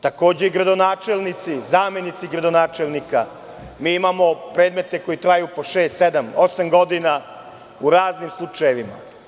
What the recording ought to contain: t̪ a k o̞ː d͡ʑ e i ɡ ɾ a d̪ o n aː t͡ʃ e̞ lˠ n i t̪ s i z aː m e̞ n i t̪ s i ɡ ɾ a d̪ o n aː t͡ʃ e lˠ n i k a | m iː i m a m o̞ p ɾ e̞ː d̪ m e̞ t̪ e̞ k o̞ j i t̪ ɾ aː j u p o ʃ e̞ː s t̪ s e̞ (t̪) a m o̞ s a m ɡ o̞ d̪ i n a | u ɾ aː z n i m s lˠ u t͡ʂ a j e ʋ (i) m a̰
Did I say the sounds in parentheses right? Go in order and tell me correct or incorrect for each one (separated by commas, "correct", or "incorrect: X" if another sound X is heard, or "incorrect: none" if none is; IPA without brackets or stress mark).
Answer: incorrect: d̪, correct